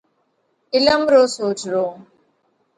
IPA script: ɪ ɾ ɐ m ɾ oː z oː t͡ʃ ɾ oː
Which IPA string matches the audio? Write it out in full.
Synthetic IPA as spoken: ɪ l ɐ m ɾ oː s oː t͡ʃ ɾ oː